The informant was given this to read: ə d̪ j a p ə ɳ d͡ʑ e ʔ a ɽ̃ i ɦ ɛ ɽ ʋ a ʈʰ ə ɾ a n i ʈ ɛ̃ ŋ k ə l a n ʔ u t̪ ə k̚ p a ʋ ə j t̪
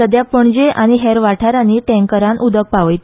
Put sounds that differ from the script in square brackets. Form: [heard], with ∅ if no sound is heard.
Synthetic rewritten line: ə d̪ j a p ə ɳ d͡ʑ e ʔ a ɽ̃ i ɦ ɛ [ɾ] ʋ a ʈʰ [a] ɾ a n i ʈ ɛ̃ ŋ k ə [ɾ] a n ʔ u [d̪] ə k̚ p a ʋ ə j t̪